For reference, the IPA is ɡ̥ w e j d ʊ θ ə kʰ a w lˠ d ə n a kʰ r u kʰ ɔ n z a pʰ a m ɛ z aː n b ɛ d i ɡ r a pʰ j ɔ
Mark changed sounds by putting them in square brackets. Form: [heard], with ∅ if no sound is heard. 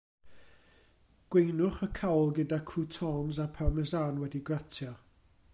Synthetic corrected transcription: ɡ̥ w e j [n] ʊ [χ] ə kʰ a w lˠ [ɡ] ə [d] a kʰ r u [tʰ] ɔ n z a pʰ a m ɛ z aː n [w] ɛ d i ɡ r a [tʰ] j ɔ

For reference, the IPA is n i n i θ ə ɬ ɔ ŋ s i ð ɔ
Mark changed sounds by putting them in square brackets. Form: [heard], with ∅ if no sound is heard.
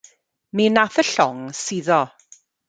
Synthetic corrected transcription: [m] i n [a] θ ə ɬ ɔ ŋ s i ð ɔ

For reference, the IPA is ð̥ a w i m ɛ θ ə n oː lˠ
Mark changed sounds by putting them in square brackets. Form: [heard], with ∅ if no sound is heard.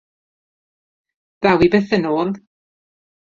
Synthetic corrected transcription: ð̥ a w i [b] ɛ θ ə n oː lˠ

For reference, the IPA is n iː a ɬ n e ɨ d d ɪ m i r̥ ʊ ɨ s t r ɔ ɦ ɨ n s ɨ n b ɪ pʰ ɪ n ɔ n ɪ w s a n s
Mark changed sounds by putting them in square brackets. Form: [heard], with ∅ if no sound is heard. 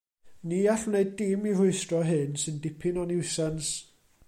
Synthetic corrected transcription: n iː a ɬ n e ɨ d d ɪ m i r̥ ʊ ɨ s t r ɔ ɦ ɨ n s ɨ n [d] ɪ pʰ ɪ n ɔ n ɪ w s a n s

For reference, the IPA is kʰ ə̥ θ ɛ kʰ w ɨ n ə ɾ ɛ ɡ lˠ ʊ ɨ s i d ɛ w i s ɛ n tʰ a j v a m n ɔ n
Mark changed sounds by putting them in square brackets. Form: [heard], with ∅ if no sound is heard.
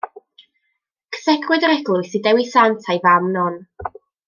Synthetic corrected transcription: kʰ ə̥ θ ɛ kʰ w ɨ [d] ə ɾ ɛ ɡ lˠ ʊ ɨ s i d ɛ w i s [a] n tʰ a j v a m n ɔ n

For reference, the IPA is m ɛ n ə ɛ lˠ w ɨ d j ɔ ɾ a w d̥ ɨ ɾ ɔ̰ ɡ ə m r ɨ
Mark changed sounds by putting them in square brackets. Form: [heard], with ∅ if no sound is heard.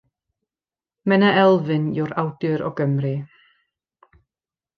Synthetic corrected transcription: m ɛ n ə ɛ lˠ [v] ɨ [n] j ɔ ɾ a w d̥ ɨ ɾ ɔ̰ ɡ ə m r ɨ

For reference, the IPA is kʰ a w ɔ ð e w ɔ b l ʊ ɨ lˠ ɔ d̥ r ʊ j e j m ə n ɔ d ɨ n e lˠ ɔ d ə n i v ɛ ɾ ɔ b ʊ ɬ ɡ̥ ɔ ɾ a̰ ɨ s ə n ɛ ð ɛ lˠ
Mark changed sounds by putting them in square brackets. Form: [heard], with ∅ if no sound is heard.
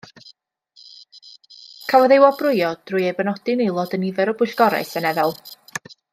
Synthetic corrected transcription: kʰ a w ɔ ð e w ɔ b [r] ʊ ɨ [∅] ɔ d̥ r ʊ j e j [b] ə n ɔ d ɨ n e lˠ ɔ d ə n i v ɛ ɾ ɔ b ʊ ɬ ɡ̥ ɔ ɾ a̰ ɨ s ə n ɛ ð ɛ lˠ

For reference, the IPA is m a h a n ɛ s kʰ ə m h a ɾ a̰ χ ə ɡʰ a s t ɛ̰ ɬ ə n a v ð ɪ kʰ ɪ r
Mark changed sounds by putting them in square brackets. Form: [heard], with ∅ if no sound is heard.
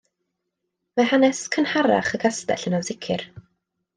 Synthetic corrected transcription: m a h a n ɛ s kʰ ə [n] h a ɾ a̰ χ ə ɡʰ a s t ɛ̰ ɬ ə n a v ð ɪ kʰ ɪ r

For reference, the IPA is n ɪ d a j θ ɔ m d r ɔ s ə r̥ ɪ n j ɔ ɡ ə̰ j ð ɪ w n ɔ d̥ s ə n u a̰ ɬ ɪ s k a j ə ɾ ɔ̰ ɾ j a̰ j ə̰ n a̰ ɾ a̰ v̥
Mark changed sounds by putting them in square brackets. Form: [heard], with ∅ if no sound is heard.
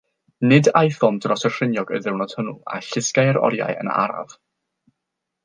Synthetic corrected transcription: n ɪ d a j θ ɔ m d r ɔ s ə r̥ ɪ n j ɔ ɡ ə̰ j ð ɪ w n ɔ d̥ [h] ə n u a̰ ɬ ɪ s k a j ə ɾ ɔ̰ ɾ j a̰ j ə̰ n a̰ ɾ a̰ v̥

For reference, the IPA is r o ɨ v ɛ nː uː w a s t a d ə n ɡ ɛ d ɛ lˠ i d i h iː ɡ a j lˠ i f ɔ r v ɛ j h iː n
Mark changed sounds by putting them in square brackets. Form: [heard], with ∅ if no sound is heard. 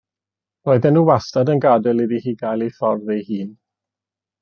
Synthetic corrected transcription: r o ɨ [ð] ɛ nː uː w a s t a d ə n ɡ [a] d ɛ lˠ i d i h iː ɡ a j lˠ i f ɔ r [ð] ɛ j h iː n

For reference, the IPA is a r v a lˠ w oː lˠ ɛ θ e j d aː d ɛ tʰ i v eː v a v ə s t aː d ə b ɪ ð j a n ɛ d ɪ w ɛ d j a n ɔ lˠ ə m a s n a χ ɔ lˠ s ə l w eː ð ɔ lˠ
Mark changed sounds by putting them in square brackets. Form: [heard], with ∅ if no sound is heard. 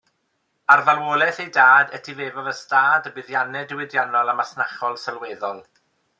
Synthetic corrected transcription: a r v a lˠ w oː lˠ ɛ θ e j d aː d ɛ tʰ i v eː v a v ə s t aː d ə b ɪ ð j a n ɛ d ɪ w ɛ d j a n ɔ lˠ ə m a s n a χ ɔ lˠ s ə l w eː ð ɔ lˠ

